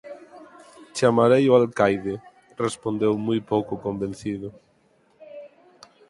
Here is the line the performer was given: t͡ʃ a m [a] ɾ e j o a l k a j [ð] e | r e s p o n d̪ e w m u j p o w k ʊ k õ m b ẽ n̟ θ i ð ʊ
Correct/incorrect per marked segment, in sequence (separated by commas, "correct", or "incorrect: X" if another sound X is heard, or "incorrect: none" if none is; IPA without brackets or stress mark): correct, correct